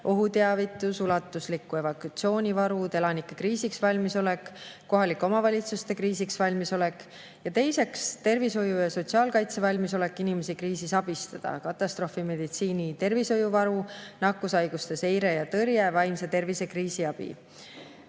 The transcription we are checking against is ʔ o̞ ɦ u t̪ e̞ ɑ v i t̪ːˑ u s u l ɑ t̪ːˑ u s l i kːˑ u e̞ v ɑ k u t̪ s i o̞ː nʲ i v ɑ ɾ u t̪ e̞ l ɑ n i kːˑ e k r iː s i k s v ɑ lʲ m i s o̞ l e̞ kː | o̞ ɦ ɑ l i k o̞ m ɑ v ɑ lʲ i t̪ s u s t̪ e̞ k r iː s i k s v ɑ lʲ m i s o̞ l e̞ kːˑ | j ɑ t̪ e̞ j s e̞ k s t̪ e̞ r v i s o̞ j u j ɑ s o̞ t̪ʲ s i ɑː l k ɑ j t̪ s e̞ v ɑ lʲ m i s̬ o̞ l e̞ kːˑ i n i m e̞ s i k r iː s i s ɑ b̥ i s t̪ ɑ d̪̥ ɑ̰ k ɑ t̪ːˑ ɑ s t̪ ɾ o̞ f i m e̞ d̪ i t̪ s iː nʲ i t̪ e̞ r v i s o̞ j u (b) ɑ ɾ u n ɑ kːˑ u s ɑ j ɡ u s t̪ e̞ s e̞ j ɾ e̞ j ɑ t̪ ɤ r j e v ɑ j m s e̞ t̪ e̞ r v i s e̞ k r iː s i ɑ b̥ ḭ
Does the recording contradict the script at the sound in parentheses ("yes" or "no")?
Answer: yes